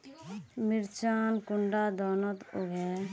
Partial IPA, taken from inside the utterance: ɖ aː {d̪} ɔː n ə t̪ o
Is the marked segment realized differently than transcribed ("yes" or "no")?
no